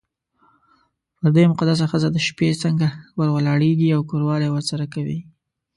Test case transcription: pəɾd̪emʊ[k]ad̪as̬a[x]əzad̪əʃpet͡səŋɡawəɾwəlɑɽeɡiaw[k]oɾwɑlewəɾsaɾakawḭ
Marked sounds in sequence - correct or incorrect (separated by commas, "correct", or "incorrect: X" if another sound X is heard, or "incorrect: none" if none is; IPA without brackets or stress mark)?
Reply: incorrect: q, correct, correct